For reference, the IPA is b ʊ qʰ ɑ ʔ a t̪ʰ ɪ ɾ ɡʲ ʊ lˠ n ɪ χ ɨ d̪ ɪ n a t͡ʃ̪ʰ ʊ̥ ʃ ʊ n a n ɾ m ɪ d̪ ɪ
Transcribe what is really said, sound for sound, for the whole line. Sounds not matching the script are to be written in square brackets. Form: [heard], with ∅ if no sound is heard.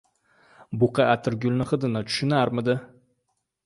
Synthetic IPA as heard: b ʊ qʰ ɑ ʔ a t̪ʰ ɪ ɾ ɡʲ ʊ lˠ n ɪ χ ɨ d̪ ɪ n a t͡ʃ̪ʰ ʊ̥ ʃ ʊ n a [∅] ɾ m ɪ d̪ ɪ